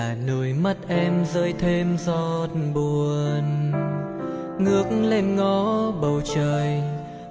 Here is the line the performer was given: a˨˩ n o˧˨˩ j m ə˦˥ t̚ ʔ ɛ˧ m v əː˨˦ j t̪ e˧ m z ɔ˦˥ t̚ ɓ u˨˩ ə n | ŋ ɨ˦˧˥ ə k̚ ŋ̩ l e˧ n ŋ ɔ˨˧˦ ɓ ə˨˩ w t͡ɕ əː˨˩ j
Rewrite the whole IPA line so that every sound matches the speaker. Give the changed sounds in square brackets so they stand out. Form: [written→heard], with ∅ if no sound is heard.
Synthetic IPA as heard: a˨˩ n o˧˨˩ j m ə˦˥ t̚ ʔ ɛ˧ m [v→z] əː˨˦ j [t̪→t̪ʰ] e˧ m z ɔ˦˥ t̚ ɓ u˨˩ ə n | ŋ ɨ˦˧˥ ə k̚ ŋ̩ l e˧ n ŋ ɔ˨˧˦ ɓ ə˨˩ w t͡ɕ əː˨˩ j

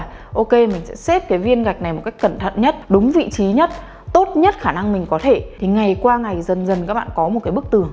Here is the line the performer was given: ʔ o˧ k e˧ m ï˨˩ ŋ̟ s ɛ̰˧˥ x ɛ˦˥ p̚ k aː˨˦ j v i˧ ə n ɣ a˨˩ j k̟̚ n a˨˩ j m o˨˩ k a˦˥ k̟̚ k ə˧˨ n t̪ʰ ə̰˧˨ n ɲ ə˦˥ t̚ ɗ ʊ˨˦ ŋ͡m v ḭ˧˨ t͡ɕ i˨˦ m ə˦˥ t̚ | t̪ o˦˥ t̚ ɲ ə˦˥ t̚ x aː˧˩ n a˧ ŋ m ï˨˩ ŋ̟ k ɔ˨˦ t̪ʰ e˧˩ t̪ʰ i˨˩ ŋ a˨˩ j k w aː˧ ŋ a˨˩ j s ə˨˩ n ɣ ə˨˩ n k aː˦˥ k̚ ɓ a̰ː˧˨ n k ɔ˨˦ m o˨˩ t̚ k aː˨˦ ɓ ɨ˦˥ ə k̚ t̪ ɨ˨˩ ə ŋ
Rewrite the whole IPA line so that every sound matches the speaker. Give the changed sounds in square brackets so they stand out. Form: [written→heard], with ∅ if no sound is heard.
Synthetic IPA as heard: ʔ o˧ k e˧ m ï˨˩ ŋ̟ s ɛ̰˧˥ [x→s] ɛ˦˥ p̚ k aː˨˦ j v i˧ ə n ɣ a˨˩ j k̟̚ n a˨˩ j m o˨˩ k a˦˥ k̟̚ k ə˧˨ n t̪ʰ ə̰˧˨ n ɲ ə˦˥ t̚ ɗ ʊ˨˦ ŋ͡m v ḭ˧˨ t͡ɕ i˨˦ [m→ɲ] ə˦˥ t̚ | t̪ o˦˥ t̚ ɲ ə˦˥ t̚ x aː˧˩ n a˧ ŋ m ï˨˩ ŋ̟ k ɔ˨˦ t̪ʰ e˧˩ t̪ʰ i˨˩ ŋ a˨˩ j k w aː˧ ŋ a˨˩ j [s→z] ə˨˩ n [ɣ→z] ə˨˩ n k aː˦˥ k̚ ɓ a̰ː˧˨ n k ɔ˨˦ m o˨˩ t̚ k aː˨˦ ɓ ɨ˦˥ ə k̚ t̪ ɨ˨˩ ə ŋ

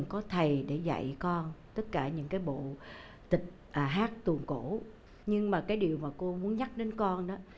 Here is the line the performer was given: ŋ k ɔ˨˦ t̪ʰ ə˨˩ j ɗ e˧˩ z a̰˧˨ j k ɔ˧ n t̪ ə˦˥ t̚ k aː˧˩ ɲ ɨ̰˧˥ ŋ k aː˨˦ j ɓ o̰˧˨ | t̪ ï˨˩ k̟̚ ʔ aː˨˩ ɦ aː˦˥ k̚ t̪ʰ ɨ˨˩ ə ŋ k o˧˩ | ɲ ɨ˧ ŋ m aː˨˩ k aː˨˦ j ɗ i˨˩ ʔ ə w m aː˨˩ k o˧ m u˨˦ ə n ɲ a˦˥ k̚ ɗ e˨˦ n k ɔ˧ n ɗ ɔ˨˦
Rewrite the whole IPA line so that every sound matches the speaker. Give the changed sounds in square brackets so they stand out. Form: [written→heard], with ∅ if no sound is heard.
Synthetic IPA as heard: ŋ k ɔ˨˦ t̪ʰ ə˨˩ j ɗ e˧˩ z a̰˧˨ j k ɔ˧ n t̪ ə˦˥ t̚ k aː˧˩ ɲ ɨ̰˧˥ ŋ k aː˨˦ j ɓ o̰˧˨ | t̪ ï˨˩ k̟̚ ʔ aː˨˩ ɦ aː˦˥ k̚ [t̪ʰ→t̪] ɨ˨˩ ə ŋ k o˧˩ | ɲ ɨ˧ ŋ m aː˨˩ k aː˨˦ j ɗ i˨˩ [ʔ→∅] ə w m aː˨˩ k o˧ m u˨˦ ə n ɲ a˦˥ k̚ ɗ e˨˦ n k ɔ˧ n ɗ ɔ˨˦

